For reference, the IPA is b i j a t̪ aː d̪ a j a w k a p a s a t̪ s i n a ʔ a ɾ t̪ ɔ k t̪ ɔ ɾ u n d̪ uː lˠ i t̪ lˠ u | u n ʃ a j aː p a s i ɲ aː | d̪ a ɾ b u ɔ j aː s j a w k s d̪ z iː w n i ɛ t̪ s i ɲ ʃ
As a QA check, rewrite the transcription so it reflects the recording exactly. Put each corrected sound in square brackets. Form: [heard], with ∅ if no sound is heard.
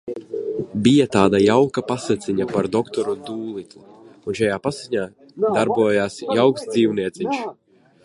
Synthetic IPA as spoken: b i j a t̪ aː d̪ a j a w k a p a s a t̪ s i [ɲ] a [p] a ɾ [d̪] ɔ k t̪ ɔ ɾ u n d̪ uː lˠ i t̪ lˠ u | u n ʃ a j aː p a s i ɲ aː | d̪ a ɾ b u ɔ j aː s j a w k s d̪ z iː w n i ɛ t̪ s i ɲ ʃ